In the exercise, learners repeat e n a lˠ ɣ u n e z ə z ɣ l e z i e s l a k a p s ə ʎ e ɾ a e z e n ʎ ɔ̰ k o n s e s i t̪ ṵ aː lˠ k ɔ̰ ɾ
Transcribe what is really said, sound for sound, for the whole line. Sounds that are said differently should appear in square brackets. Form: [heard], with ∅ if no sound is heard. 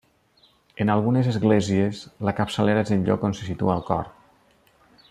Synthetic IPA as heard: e n a lˠ ɣ u n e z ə z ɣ l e z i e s l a k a p s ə [l] e ɾ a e z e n ʎ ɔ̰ k o n s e s i t̪ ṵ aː lˠ k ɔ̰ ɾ